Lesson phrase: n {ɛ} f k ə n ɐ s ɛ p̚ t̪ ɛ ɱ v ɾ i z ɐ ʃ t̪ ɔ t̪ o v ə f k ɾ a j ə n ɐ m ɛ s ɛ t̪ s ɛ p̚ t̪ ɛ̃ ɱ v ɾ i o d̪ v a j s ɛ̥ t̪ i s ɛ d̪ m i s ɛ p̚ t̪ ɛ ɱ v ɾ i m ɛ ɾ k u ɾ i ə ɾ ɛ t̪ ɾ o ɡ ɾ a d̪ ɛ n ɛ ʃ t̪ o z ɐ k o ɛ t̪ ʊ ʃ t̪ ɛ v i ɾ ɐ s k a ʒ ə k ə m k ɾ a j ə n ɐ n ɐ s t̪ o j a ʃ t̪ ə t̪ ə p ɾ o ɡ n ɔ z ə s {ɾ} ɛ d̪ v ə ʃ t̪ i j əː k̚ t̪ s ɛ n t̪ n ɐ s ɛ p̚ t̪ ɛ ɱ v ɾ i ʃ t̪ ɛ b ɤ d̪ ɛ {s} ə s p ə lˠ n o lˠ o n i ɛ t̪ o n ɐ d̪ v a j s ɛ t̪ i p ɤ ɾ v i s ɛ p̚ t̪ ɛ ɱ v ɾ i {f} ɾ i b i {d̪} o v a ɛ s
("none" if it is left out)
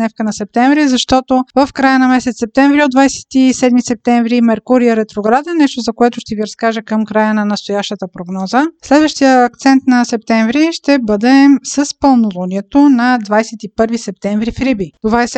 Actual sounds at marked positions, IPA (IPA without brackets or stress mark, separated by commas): ɛ, l, s, f, t̪